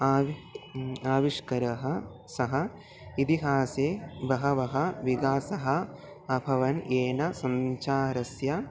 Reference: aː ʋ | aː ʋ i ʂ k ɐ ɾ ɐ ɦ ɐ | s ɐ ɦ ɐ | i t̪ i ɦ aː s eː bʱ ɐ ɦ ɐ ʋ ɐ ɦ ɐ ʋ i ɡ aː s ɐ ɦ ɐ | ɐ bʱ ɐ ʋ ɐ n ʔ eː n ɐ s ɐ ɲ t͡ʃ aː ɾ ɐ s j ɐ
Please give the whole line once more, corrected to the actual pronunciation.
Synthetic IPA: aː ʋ | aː ʋ i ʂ k ɐ ɾ ɐ ɦ ɐ | s ɐ ɦ ɐ | i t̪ i ɦ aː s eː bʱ ɐ ɦ ɐ ʋ ɐ ɦ ɐ ʋ i ɡ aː s ɐ ɦ ɐ | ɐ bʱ ɐ ʋ ɐ n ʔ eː n ɐ s ɐ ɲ t͡ʃ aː ɾ ɐ s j ɐ

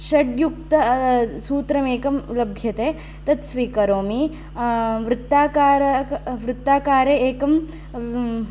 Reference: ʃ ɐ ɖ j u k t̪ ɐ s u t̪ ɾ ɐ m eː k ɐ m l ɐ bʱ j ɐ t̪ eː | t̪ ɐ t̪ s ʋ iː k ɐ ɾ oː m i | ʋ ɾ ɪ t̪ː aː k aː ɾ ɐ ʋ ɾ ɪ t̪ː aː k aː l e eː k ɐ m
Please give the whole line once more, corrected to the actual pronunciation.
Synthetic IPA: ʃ ɐ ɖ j u k t̪ ɐ s uː t̪ ɾ ɐ m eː k ɐ m l ɐ bʱ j ɐ t̪ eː | t̪ ɐ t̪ s ʋ iː k ɐ ɾ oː m i | ʋ ɾ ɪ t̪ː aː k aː ɾ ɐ ʋ ɾ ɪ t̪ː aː k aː ɾ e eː k ɐ m

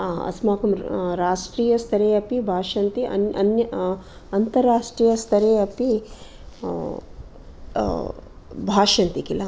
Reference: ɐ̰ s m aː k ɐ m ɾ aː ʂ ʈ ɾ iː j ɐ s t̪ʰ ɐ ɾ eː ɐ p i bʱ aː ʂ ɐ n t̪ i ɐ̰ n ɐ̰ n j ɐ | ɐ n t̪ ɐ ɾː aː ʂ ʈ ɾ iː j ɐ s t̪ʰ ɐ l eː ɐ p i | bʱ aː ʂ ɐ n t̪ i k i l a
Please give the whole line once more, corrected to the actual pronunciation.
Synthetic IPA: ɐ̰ s m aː k ɐ m ɾ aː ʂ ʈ ɾ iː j ɐ s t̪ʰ ɐ ɾ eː ɐ p i bʱ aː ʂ ɐ n t̪ i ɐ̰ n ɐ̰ n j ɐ | ɐ n t̪ ɐ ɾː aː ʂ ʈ ɾ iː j ɐ s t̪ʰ ɐ ɾ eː ɐ p i | bʱ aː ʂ ɐ n t̪ i k i l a

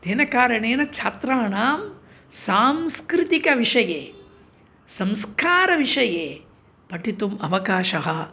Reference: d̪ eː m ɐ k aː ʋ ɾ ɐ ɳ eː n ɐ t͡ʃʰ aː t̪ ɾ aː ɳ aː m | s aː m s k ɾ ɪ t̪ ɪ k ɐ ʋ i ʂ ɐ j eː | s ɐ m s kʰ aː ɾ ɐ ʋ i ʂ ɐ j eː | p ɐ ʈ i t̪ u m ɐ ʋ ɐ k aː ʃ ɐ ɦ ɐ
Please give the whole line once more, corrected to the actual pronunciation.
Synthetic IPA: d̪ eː n ɐ k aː ɾ ɐ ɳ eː n ɐ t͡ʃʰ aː t̪ ɾ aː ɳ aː m | s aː m s k ɾ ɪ t̪ i k ɐ ʋ i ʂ ɐ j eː | s ɐ m s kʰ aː ɾ ɐ ʋ i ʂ ɐ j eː | p ɐ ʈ i t̪ u m ɐ ʋ ɐ k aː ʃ ɐ ɦ ɐ

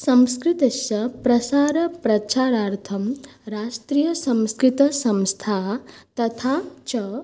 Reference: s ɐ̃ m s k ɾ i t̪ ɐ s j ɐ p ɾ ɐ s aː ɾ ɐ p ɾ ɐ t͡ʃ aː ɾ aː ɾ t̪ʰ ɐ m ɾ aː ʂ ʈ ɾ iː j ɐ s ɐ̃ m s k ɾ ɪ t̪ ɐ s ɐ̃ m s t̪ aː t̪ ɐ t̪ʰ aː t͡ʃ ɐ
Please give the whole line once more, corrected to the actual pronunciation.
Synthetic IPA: s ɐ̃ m s k ɾ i t̪ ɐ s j ɐ p ɾ ɐ s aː ɾ ɐ p ɾ ɐ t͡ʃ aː ɾ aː ɾ t̪ʰ ɐ m ɾ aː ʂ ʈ ɾ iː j ɐ s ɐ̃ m s k ɾ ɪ t̪ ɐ s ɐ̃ m s t̪ʰ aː t̪ ɐ t̪ʰ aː t͡ʃ ɐ

